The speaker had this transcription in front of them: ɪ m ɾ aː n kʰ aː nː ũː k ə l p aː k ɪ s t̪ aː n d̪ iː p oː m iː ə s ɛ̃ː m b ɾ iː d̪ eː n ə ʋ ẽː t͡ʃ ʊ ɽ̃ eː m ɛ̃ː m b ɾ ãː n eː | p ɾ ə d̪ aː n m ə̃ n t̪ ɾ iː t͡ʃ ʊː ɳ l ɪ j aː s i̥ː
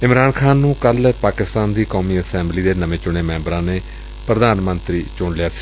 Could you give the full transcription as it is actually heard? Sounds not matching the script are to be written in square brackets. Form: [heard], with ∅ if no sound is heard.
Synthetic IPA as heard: ɪ m ɾ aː n kʰ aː nː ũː k ə l p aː k ɪ s t̪ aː n d̪ iː [k] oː m iː ə s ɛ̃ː m b [l] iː d̪ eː n ə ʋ ẽː t͡ʃ ʊ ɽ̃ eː m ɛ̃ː m b ɾ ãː n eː | p ɾ ə d̪ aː n m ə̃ n t̪ ɾ iː t͡ʃ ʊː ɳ l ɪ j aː s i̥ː